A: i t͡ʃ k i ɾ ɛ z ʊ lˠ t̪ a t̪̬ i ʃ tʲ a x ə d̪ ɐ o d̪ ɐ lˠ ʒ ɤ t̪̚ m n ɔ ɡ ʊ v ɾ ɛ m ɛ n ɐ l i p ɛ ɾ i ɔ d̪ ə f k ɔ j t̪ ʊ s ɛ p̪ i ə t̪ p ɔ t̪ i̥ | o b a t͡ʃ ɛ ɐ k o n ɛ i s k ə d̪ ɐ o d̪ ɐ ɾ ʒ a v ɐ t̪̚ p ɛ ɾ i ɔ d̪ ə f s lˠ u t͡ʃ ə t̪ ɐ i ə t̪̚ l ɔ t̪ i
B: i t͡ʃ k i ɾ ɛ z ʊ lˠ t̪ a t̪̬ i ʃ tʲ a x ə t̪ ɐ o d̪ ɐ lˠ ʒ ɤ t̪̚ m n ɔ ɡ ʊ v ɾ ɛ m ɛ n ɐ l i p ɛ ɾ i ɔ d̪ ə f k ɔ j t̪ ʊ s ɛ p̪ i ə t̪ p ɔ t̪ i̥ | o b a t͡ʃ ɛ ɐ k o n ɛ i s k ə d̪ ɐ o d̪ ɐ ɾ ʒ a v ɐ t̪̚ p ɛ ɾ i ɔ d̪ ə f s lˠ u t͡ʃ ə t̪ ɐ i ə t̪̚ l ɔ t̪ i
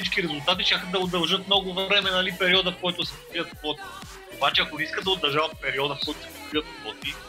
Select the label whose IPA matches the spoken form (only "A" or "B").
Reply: A